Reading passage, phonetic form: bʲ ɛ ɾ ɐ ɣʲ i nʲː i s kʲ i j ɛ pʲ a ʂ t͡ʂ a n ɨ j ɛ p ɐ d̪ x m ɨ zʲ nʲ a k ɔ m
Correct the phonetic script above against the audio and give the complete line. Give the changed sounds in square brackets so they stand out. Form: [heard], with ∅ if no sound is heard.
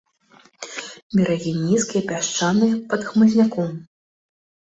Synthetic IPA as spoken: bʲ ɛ ɾ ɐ ɣʲ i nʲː i s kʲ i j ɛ pʲ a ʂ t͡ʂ a n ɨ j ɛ p ɐ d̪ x m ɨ zʲ nʲ a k ɔ m